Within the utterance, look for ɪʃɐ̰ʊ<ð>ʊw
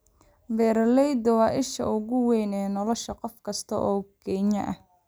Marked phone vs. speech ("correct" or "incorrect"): incorrect